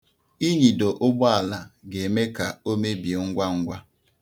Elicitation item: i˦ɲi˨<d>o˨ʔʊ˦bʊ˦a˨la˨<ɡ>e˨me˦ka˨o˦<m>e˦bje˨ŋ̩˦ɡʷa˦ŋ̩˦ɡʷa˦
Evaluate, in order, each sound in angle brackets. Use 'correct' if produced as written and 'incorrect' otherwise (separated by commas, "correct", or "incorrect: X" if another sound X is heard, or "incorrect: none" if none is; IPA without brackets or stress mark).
correct, correct, correct